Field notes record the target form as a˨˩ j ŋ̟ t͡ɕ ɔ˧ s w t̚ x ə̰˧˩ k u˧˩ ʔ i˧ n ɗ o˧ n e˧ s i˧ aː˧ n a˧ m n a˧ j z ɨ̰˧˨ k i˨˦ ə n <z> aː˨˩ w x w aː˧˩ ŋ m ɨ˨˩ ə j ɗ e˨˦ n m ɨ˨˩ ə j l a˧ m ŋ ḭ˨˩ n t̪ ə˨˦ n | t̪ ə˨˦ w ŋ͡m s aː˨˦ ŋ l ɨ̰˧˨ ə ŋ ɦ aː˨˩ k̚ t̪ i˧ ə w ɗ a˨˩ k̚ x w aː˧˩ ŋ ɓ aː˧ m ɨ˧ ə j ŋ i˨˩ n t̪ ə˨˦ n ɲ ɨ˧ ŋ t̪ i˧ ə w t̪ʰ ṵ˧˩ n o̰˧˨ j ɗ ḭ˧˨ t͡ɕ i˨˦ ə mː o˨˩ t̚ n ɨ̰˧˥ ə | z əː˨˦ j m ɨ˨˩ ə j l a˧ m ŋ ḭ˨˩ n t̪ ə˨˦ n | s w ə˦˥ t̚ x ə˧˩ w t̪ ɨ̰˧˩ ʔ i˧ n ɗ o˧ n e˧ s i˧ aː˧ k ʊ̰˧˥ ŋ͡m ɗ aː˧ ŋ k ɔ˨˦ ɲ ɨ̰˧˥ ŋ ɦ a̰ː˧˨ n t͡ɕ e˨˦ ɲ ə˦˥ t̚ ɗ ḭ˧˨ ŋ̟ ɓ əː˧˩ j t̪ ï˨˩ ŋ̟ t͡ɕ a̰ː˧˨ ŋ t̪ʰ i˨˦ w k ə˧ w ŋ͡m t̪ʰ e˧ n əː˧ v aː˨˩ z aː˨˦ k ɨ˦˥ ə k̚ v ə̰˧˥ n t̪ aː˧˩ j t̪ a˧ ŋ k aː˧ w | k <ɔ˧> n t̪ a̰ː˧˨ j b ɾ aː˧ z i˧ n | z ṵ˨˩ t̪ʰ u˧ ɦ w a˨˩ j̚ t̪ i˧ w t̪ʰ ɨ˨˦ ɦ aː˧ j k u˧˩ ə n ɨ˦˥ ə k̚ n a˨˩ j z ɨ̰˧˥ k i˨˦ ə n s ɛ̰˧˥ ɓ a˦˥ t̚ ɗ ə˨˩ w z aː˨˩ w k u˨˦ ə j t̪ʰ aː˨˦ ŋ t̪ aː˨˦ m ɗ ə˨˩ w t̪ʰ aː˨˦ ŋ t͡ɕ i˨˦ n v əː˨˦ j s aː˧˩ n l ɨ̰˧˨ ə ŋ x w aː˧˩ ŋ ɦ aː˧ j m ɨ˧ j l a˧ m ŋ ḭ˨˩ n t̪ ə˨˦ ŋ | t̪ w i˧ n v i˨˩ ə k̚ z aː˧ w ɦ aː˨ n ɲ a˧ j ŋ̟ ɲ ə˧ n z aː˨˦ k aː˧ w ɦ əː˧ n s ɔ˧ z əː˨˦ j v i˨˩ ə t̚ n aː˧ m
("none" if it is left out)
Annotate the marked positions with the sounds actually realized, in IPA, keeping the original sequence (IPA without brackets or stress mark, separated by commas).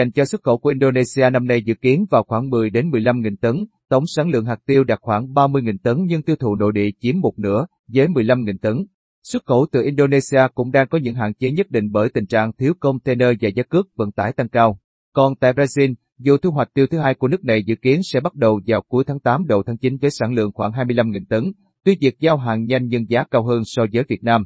v, ɔ˨˩